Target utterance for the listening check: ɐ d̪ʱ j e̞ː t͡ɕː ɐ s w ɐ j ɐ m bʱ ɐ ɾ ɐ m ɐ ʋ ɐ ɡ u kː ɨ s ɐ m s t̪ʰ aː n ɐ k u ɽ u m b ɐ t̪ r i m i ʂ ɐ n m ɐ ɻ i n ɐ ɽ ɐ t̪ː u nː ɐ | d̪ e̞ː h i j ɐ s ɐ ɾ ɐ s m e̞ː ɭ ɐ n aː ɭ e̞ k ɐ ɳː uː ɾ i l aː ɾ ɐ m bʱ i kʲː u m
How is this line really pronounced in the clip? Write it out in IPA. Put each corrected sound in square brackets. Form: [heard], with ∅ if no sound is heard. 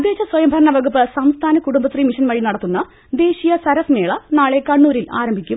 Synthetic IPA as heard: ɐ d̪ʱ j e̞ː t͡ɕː ɐ s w ɐ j ɐ m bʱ ɐ ɾ ɐ [ɳ] ɐ ʋ ɐ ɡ u [pː] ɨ s ɐ m s t̪ʰ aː n ɐ k u ɽ u m b ɐ t̪ r i m i ʂ ɐ n m ɐ ɻ i n ɐ ɽ ɐ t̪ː u nː ɐ | d̪ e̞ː [ɕ] i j ɐ s ɐ ɾ ɐ s m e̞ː ɭ ɐ n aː ɭ e̞ k ɐ ɳː uː ɾ i l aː ɾ ɐ m bʱ i kʲː u m

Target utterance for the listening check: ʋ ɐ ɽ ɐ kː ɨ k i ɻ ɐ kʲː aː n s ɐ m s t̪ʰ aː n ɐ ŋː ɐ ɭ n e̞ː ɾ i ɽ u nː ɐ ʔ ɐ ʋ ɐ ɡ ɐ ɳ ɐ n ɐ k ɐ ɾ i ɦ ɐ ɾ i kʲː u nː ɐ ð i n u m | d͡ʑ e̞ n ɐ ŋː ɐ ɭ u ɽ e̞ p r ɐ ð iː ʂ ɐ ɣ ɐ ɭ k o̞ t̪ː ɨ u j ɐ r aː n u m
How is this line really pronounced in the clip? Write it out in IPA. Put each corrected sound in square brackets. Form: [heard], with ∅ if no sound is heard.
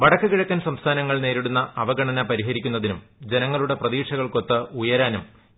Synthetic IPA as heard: ʋ ɐ ɽ ɐ kː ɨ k i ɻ ɐ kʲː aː n s ɐ m s t̪ʰ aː n ɐ ŋː ɐ ɭ n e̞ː ɾ i ɽ u nː ɐ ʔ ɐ ʋ ɐ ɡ ɐ ɳ ɐ n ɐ [p] ɐ ɾ i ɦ ɐ ɾ i kʲː u nː ɐ ð i n u m | d͡ʑ e̞ n ɐ ŋː ɐ ɭ u ɽ e̞ p r ɐ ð iː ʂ ɐ ɣ ɐ ɭ k o̞ t̪ː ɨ u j ɐ [ɾ] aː n u m

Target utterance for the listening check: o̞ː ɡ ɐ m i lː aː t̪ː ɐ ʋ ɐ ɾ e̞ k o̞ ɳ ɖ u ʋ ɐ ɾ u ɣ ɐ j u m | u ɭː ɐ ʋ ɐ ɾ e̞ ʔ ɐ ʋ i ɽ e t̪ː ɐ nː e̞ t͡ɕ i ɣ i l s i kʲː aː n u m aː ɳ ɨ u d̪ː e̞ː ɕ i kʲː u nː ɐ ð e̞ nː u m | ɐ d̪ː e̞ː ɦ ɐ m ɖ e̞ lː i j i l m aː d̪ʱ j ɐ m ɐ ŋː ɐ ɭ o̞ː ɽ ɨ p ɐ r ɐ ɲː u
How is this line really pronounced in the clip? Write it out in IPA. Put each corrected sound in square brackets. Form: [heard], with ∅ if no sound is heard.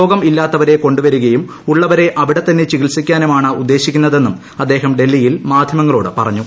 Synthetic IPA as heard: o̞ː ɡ ɐ m i lː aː t̪ː ɐ ʋ ɐ ɾ e̞ k o̞ ɳ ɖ u ʋ ɐ ɾ u ɣ ɐ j u m | u ɭː ɐ ʋ ɐ ɾ e̞ ʔ ɐ ʋ i ɽ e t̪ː ɐ nː e̞ t͡ɕ i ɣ i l s i kʲː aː n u m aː ɳ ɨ u d̪ː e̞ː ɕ i kʲː u nː ɐ ð e̞ nː u m | ɐ d̪ː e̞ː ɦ ɐ m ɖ e̞ lː i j i l m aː d̪ʱ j ɐ m ɐ ŋː ɐ ɭ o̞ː ɽ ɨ p ɐ r ɐ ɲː u

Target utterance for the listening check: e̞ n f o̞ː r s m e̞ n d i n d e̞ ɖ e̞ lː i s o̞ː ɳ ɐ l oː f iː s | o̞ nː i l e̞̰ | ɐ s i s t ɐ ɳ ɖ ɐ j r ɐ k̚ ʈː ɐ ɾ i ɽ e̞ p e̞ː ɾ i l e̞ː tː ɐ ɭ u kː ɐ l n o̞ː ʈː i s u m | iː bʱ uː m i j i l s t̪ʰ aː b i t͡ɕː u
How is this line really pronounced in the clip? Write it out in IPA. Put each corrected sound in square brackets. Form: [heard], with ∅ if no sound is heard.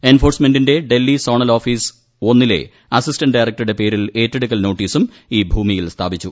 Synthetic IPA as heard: e̞ n f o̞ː r s m e̞ n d i n d e̞ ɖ e̞ lː i s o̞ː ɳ ɐ l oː f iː s | o̞ nː i l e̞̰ | ɐ s i s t ɐ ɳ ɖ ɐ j r ɐ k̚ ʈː ɐ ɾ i ɽ e̞ p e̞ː ɾ i l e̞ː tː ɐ [ɽ] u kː ɐ l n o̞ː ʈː [iː] s u m | iː bʱ uː m i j i l s t̪ʰ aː b i t͡ɕː u

